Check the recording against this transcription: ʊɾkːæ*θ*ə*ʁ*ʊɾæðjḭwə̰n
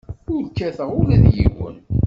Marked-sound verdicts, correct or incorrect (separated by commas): correct, correct